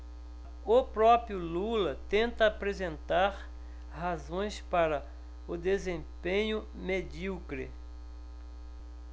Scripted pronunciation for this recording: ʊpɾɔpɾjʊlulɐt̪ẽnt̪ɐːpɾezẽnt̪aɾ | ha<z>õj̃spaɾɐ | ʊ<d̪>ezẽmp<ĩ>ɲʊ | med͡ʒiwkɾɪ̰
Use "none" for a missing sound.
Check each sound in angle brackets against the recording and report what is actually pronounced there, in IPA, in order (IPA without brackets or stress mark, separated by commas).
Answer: z, d̪, ẽ